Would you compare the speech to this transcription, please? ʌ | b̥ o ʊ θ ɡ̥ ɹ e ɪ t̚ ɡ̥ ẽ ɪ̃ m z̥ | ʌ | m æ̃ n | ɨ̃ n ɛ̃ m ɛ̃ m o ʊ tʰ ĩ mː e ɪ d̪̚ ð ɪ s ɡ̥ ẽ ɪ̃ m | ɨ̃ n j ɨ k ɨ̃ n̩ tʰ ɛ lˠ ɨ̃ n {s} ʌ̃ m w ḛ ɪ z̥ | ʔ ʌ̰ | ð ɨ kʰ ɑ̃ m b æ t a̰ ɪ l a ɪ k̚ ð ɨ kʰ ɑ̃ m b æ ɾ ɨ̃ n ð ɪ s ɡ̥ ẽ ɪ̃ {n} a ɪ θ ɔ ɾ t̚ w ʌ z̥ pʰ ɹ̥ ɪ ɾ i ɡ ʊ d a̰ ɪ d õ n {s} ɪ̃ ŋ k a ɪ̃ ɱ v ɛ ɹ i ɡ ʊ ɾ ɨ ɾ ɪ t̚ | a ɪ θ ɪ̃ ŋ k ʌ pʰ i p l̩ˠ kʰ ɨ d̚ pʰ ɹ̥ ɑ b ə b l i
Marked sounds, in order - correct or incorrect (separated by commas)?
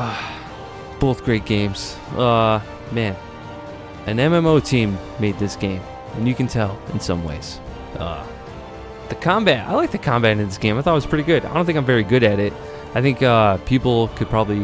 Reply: correct, incorrect, incorrect